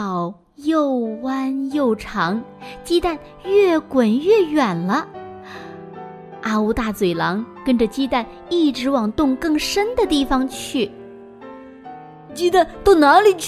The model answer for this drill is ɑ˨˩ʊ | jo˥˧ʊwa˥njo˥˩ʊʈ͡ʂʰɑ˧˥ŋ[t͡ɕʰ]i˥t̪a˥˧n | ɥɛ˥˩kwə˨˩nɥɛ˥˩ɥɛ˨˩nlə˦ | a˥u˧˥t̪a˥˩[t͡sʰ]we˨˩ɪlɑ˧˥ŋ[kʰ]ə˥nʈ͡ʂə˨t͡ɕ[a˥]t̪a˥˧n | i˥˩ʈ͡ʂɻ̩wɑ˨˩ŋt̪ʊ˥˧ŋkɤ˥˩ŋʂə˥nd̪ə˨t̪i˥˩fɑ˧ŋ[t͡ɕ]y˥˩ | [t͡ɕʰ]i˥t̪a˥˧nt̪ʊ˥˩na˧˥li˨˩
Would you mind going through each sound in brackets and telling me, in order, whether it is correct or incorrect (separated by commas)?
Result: incorrect, incorrect, incorrect, incorrect, incorrect, incorrect